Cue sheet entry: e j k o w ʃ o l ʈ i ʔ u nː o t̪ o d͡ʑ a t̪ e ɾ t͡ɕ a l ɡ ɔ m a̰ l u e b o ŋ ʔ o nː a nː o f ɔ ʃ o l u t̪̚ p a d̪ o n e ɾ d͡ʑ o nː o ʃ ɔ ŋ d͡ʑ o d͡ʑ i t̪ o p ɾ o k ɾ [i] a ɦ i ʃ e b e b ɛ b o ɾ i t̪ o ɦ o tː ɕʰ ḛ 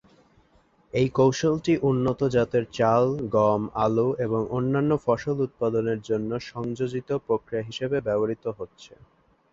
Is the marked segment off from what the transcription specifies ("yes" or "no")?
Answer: no